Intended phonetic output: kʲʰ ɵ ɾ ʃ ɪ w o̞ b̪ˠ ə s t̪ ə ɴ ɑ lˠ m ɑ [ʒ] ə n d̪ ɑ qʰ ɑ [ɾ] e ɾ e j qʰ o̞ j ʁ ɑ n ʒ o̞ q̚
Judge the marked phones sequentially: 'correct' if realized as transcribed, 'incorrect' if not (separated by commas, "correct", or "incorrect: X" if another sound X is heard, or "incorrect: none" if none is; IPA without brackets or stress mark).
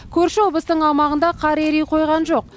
incorrect: ʁ, correct